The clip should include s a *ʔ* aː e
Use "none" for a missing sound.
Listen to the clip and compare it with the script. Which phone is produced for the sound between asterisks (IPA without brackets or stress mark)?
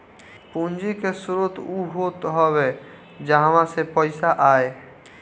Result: ʔ